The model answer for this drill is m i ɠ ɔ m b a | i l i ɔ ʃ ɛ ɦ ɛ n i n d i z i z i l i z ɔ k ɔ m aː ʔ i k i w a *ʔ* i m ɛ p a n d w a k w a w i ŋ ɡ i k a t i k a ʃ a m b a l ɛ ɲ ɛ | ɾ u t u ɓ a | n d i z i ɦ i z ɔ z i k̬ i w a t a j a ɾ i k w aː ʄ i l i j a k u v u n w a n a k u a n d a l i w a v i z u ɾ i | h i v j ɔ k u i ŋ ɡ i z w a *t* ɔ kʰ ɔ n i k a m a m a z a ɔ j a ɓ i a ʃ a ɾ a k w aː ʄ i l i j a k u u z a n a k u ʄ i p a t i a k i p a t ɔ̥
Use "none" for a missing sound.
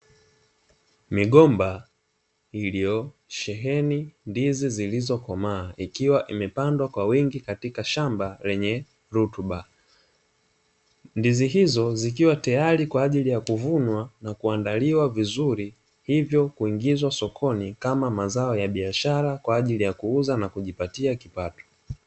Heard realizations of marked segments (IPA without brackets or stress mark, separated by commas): ʔ, s